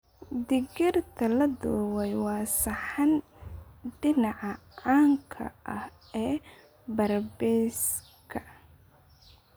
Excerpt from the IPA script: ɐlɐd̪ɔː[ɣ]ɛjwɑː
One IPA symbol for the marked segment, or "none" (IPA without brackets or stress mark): w